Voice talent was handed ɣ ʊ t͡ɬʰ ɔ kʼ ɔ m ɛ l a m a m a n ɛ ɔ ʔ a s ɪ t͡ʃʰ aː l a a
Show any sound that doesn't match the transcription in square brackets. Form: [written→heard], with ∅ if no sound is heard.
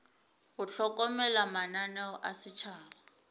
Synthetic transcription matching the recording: ɣ ʊ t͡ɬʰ ɔ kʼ ɔ m ɛ l a m a [m→n] a n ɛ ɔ ʔ a s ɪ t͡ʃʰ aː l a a